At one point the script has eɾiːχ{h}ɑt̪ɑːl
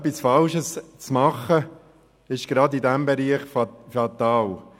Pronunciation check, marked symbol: incorrect: f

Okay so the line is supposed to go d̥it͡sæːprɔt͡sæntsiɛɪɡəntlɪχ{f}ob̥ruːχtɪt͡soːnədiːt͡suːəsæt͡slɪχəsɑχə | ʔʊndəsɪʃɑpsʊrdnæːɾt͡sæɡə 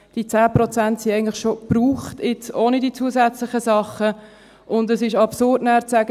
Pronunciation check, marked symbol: incorrect: ʃ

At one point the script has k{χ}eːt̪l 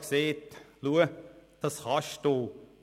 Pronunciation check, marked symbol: incorrect: s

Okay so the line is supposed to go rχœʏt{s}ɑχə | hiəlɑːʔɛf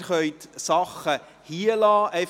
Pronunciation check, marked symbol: correct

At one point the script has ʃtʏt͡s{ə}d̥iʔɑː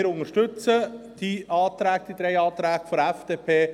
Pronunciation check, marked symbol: correct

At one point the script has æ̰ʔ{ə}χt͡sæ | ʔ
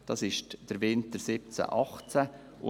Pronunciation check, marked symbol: incorrect: ɑ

